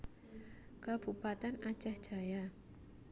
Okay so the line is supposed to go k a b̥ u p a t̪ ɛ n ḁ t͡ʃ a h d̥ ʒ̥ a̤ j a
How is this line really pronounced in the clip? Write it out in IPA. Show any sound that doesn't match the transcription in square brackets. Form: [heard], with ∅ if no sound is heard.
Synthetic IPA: k a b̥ u p a t̪ ɛ n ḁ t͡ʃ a h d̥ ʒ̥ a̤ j a